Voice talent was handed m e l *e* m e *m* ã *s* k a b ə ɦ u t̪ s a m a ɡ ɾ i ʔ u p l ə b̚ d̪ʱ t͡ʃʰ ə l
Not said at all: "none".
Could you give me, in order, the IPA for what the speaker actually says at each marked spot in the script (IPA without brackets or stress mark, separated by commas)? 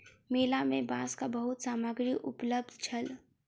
a, b, s